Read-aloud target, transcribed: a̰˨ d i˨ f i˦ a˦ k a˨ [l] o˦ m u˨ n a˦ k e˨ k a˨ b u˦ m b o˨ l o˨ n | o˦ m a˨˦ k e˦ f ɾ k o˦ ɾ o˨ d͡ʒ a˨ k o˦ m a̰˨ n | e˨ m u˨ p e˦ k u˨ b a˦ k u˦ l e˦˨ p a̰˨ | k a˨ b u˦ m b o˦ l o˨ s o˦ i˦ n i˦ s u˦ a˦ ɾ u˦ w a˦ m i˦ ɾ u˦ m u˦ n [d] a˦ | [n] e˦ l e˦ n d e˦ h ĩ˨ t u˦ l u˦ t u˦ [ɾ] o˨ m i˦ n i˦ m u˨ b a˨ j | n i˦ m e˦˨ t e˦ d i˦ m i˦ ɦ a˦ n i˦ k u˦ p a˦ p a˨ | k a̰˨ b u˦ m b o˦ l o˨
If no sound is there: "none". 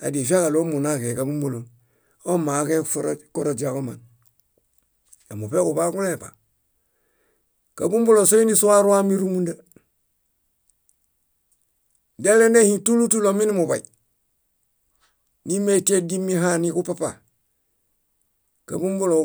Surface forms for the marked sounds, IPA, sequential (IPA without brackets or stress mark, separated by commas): l, d, d, l